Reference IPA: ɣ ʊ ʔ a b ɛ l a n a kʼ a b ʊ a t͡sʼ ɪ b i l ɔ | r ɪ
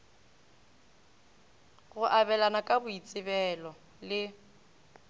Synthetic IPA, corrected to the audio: ɣ ʊ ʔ a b ɛ l a n a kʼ a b ʊ i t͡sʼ ɪ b ɛ l ɔ | l ɪ